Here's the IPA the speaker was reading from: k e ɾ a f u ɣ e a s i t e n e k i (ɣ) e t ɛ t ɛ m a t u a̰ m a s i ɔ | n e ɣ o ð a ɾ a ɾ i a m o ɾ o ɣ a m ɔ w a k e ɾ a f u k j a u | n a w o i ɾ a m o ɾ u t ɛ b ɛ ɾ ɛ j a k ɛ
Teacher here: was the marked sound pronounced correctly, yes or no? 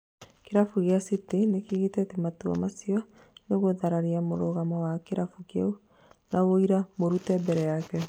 yes